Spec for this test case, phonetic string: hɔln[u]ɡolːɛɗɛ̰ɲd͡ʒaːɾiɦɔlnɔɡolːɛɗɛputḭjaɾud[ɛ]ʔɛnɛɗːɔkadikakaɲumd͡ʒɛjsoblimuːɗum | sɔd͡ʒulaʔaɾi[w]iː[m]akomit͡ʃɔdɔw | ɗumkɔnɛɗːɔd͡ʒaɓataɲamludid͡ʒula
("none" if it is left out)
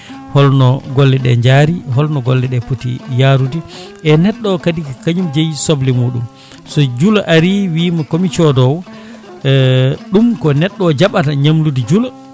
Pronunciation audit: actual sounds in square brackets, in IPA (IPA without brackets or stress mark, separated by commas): ɔ, i, w, m